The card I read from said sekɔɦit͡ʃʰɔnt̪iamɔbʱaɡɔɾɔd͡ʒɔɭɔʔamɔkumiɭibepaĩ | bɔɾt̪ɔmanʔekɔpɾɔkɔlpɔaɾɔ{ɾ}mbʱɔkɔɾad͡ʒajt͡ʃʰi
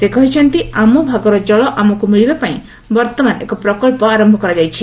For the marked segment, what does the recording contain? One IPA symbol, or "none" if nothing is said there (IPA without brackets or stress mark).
none